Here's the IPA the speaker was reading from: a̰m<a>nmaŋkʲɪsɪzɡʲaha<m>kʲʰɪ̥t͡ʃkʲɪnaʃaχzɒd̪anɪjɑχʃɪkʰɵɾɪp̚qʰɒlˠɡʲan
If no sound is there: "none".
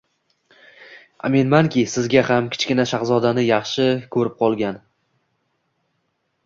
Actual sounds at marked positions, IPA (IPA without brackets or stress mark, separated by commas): e, m